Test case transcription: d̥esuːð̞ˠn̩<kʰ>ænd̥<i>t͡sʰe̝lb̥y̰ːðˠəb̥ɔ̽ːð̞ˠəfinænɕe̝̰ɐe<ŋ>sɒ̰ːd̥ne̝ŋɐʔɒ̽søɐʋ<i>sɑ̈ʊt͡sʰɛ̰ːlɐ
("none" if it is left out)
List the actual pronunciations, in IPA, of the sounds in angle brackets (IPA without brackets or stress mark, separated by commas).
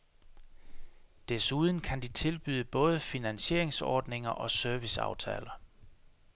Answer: kʰ, i, ŋ, i